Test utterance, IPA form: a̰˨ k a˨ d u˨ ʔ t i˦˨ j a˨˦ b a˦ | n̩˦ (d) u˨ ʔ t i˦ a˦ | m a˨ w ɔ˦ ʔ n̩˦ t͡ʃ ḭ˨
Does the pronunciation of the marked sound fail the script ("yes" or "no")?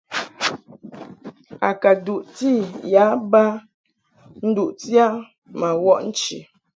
no